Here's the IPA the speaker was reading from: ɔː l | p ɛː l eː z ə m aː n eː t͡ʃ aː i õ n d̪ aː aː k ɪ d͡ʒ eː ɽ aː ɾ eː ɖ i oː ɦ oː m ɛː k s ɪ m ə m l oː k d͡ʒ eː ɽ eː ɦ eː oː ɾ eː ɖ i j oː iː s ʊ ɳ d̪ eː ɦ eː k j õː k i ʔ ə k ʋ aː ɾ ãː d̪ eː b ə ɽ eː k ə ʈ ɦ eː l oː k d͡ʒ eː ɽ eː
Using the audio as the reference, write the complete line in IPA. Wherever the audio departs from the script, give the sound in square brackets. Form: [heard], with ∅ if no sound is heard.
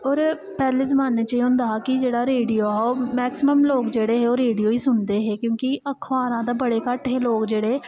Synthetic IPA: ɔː [ɾ] | p ɛː l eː z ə m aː n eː t͡ʃ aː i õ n d̪ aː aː k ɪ d͡ʒ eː ɽ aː ɾ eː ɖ i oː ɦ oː m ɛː k s ɪ m ə m l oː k d͡ʒ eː ɽ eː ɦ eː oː ɾ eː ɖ i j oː iː s ʊ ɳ d̪ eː ɦ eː k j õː k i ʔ ə [kʰ] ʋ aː ɾ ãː d̪ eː b ə ɽ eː k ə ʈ ɦ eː l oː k d͡ʒ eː ɽ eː

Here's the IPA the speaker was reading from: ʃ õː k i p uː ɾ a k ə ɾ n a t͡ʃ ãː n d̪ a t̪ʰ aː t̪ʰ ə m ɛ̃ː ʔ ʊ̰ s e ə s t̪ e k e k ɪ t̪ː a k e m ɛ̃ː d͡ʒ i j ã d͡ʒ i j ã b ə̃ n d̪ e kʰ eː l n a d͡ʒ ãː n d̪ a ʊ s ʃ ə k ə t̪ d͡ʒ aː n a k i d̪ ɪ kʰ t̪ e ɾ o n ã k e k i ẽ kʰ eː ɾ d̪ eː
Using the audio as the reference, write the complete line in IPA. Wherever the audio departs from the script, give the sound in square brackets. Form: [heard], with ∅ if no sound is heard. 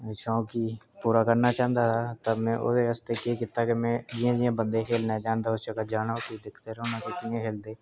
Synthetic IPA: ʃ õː k i p uː ɾ a k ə ɾ n a t͡ʃ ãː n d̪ a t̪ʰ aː [t̪] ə m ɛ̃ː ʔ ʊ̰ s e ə s t̪ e k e k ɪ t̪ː a k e m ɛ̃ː d͡ʒ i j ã d͡ʒ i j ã b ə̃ n d̪ e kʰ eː l n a d͡ʒ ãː n d̪ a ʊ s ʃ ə k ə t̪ d͡ʒ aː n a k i d̪ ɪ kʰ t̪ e ɾ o n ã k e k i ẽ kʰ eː [l] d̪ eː

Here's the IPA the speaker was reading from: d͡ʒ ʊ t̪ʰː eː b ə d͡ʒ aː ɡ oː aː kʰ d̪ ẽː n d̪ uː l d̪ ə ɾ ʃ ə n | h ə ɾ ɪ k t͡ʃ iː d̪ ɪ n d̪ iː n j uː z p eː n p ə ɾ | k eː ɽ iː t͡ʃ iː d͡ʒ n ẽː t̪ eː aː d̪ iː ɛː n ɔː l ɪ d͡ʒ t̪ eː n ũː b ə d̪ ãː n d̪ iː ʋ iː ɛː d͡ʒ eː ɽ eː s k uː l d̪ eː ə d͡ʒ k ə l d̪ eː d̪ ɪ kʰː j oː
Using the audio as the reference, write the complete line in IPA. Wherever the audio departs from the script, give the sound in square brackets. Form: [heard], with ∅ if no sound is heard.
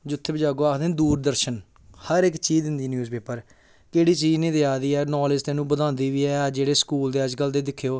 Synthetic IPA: d͡ʒ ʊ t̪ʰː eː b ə d͡ʒ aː ɡ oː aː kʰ d̪ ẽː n d̪ uː [ɾ] d̪ ə ɾ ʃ ə n | h ə ɾ ɪ k t͡ʃ iː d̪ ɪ n d̪ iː n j uː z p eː [∅] p ə ɾ | k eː ɽ iː t͡ʃ iː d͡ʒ n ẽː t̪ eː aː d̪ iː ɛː n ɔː l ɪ d͡ʒ t̪ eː n ũː b ə d̪ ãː n d̪ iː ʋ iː ɛː d͡ʒ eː ɽ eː s k uː l d̪ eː ə d͡ʒ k ə l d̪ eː d̪ ɪ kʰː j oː

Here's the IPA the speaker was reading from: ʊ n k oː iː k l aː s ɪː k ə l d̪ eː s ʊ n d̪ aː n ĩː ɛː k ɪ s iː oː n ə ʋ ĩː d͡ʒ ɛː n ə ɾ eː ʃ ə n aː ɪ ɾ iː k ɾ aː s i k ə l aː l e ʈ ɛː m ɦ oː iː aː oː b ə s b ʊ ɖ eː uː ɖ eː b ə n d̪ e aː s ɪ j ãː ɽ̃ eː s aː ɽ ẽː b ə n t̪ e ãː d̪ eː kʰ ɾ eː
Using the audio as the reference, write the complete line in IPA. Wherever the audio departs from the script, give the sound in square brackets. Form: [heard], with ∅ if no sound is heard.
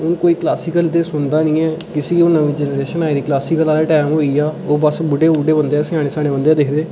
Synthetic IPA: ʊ n k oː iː k l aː s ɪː k ə l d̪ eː s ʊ n d̪ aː n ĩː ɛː k ɪ s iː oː n ə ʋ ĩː d͡ʒ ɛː n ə ɾ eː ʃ ə n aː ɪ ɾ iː k [l] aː s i k ə l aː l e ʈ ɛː m ɦ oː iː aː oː b ə s b ʊ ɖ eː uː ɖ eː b ə n d̪ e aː s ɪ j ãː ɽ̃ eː s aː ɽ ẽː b ə n [d̪] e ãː d̪ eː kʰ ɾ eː

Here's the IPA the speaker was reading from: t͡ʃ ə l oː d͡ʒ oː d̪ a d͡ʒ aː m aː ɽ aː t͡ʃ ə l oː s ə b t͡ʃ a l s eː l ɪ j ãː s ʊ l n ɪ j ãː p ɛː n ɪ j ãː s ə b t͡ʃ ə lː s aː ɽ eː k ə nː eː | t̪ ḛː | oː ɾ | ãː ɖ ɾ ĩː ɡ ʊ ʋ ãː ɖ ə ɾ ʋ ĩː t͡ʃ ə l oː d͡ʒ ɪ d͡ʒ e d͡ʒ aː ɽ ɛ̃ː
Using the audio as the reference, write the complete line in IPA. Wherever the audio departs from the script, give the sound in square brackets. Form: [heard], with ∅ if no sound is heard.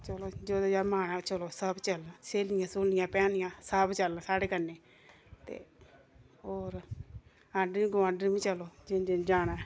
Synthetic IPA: t͡ʃ ə l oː d͡ʒ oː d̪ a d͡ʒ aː m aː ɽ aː t͡ʃ ə l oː s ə b t͡ʃ [ə] l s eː l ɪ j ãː s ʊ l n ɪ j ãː p ɛː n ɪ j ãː s ə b t͡ʃ ə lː s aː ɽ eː k ə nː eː | t̪ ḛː | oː ɾ | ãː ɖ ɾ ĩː ɡ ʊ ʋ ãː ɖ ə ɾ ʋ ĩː t͡ʃ ə l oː d͡ʒ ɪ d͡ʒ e d͡ʒ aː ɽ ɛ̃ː

